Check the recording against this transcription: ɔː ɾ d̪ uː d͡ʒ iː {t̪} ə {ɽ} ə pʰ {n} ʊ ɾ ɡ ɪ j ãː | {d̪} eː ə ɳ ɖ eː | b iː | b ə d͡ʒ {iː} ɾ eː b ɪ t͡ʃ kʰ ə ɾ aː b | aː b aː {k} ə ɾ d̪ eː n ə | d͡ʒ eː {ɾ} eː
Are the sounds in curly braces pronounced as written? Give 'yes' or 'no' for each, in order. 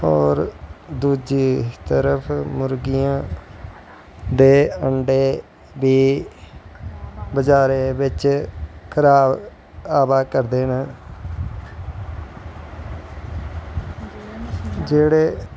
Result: yes, no, no, yes, no, yes, no

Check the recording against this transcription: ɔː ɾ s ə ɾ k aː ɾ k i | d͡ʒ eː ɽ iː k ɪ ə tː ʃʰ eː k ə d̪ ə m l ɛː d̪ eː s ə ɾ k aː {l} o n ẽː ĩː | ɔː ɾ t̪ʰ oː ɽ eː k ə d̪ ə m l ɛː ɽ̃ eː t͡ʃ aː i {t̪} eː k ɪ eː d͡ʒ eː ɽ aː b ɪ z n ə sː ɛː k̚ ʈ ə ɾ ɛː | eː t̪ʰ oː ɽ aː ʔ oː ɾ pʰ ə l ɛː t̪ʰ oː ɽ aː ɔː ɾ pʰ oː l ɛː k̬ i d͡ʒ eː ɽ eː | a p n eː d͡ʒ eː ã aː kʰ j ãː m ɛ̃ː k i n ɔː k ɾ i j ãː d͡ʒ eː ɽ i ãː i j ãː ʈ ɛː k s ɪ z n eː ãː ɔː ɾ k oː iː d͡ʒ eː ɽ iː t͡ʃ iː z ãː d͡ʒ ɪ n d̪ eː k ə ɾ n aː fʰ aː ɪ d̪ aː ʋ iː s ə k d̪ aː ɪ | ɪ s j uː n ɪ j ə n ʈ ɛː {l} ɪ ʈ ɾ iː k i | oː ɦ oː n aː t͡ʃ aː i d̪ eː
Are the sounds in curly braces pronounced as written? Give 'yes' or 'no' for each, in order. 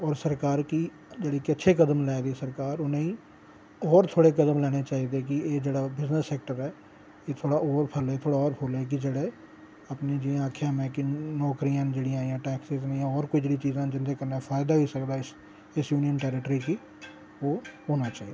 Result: no, no, no

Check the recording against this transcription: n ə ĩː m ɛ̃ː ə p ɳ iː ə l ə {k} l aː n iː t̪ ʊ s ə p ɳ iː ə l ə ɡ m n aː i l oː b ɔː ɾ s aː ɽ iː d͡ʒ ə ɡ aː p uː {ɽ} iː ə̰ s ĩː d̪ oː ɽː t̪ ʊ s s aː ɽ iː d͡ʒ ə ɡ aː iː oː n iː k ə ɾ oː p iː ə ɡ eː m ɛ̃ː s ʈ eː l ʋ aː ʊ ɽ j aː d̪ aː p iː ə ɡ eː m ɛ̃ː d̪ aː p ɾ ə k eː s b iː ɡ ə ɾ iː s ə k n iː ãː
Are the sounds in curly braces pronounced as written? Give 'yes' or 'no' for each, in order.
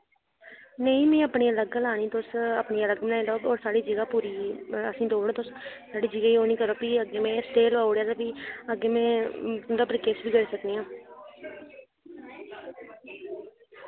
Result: no, no

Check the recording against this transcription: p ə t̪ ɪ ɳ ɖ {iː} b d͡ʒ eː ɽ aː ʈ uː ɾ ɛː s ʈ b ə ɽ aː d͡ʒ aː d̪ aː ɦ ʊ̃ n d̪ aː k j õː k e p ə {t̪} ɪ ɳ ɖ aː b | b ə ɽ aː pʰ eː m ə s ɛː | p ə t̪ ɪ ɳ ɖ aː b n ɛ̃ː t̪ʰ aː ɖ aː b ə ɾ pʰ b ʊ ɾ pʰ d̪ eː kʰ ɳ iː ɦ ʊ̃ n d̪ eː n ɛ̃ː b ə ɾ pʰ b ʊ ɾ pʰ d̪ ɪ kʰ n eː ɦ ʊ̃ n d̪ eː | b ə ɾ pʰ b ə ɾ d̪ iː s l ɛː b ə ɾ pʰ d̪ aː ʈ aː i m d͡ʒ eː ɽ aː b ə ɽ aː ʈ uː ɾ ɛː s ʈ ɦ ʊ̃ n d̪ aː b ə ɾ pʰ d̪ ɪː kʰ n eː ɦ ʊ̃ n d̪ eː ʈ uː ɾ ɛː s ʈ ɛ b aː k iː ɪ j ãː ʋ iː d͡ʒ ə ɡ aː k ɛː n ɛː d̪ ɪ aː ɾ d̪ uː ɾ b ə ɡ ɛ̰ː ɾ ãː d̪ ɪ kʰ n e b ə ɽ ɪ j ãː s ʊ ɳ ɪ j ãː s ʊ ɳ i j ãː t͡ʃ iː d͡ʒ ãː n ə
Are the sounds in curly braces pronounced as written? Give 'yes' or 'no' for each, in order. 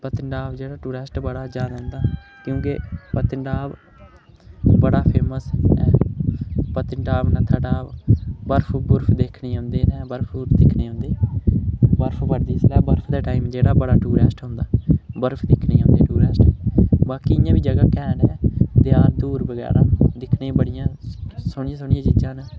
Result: no, yes

